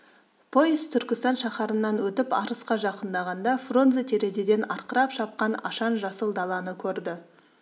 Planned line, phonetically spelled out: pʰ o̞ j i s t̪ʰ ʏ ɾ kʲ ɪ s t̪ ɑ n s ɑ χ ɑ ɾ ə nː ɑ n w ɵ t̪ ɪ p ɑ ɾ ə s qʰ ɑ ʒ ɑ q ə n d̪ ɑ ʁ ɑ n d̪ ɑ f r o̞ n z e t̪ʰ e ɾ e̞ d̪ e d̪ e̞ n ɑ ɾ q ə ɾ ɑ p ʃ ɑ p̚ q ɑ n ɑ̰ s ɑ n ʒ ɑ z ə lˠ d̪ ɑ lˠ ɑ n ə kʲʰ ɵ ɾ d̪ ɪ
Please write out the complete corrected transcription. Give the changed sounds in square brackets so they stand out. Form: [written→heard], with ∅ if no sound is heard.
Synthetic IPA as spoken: pʰ o̞ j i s t̪ʰ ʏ ɾ kʲ ɪ s t̪ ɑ n [s→ʃ] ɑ χ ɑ ɾ ə nː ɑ n w ɵ t̪ ɪ p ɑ ɾ ə s [qʰ→q] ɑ ʒ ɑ q ə n d̪ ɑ ʁ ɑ n d̪ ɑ f r o̞ n z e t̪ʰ e ɾ e̞ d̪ e d̪ e̞ n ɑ ɾ q ə ɾ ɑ p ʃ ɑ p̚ q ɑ n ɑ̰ [s→ʃ] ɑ n ʒ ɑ [z→s] ə lˠ d̪ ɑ lˠ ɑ n ə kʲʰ ɵ ɾ d̪ ɪ